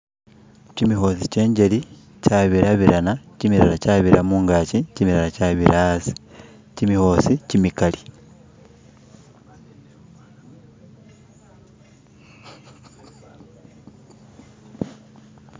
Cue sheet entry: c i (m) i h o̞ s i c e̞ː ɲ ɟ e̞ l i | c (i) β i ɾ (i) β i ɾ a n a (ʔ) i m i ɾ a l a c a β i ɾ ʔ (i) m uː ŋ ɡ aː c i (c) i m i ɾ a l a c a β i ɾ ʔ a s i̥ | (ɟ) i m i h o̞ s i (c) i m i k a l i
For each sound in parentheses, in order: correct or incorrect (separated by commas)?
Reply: correct, incorrect, incorrect, incorrect, incorrect, correct, incorrect, correct